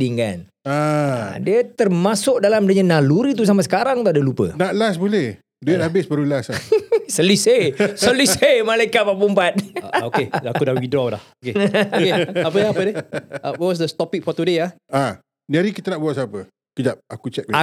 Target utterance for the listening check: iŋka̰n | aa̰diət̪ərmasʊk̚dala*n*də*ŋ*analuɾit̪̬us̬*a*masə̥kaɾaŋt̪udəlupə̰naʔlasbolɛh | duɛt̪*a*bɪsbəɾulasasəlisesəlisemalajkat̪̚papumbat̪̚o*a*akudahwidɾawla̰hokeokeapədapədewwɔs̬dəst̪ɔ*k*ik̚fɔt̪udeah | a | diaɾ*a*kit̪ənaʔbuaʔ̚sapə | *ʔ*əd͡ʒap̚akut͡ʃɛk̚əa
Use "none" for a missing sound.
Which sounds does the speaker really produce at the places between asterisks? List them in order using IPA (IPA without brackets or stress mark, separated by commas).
m, ɲ, a, a, e, p, i, k